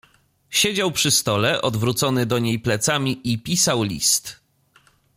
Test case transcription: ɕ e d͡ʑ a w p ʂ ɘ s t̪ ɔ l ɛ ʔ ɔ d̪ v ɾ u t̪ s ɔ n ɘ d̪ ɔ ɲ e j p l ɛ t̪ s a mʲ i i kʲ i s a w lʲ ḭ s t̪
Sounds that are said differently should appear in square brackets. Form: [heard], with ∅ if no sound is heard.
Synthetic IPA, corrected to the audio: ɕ e d͡ʑ a w p ʂ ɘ s t̪ ɔ l ɛ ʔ ɔ d̪ v ɾ u t̪ s ɔ n ɘ d̪ ɔ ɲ e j p l ɛ t̪ s a mʲ i i [pʲ] i s a w lʲ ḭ s t̪